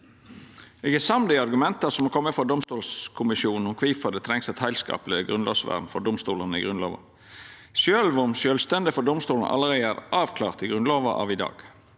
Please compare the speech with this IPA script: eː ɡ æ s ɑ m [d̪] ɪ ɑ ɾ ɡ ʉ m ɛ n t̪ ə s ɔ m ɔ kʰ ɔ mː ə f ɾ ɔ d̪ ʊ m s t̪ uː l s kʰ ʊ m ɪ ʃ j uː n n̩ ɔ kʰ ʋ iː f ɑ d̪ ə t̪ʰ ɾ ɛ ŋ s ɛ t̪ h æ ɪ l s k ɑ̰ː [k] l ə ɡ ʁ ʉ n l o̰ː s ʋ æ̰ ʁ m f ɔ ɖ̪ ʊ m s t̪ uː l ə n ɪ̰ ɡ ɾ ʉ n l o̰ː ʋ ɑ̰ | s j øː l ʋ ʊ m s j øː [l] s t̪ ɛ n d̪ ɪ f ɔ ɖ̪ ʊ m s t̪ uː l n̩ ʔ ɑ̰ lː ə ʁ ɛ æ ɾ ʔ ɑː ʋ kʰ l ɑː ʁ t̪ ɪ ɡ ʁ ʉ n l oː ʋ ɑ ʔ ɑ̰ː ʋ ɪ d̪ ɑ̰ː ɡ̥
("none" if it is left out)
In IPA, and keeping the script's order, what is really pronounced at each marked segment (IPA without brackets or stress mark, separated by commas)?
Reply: d̪, p, l